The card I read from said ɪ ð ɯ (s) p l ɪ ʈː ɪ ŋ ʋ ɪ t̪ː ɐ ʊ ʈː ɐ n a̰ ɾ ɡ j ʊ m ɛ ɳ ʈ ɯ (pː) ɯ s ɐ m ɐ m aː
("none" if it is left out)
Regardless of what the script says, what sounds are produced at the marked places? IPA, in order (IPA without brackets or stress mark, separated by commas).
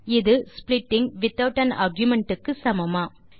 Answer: s, kː